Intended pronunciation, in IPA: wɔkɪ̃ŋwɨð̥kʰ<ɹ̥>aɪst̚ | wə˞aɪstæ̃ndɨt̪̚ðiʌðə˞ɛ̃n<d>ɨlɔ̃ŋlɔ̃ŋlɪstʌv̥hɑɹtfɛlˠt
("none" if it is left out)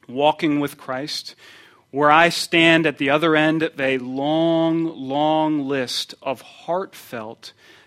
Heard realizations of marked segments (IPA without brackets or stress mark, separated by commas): ɹ̥, d